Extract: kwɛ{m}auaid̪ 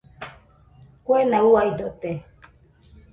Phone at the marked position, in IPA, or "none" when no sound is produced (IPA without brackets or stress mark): n